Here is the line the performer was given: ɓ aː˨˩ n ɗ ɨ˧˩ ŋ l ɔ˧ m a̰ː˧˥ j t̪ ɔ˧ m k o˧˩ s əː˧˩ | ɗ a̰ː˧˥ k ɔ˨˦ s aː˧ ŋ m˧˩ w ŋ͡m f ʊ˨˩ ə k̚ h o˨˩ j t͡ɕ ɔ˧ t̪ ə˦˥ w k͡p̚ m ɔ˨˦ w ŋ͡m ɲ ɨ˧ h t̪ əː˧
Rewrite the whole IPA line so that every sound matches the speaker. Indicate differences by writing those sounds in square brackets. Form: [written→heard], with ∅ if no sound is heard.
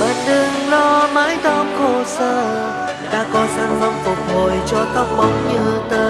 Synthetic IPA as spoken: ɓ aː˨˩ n ɗ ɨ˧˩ ŋ l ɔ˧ m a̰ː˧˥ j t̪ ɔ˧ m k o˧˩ s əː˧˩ | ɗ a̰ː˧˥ k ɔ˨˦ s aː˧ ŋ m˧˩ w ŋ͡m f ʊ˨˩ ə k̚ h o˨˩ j t͡ɕ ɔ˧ t̪ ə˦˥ w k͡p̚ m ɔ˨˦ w ŋ͡m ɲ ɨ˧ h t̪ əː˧